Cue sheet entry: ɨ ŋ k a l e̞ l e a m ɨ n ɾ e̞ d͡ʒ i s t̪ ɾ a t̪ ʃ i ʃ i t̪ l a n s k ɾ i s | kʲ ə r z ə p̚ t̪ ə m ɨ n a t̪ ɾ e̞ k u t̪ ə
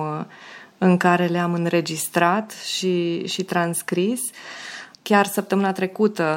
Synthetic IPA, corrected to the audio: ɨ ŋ k a ɾ e̞ l e a m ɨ n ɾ e̞ d͡ʒ i s t̪ ɾ a t̪ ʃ i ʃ i t̪ ɾ a n s k ɾ i s | kʲ a r s ə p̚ t̪ ə m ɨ n a t̪ ɾ e̞ k u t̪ ə